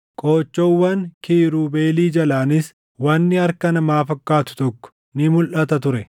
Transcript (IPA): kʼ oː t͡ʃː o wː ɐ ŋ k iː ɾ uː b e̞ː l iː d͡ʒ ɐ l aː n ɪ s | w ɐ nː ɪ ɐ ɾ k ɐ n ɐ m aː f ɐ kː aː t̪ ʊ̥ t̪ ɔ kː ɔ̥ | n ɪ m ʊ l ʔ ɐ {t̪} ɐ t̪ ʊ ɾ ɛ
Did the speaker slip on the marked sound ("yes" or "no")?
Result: no